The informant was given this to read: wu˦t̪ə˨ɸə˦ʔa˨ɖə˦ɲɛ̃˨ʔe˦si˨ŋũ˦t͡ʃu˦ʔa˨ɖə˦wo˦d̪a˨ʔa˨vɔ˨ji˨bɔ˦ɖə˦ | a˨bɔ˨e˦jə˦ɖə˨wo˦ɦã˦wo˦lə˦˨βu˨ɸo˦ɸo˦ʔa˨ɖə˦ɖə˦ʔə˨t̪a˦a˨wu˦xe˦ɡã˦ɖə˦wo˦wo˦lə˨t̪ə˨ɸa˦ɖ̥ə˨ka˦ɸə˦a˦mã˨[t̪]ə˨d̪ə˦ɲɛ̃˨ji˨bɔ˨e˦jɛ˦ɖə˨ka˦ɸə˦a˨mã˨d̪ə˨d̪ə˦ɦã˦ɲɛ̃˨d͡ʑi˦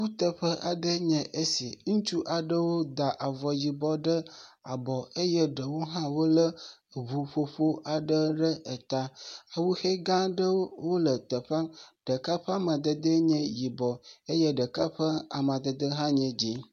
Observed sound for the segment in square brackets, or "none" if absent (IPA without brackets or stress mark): d̪